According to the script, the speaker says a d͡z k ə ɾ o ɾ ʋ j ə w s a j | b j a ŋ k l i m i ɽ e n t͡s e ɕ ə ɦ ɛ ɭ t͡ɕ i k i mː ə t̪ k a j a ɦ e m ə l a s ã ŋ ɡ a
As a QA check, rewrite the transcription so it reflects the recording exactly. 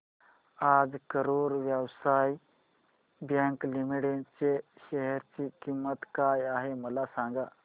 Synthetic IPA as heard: a d͡z k ə ɾ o ɾ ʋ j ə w s a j | b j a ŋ k l i m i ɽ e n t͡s e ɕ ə ɦ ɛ ɾ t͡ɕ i k i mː ə t̪ k a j a ɦ e m ə l a s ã ŋ ɡ a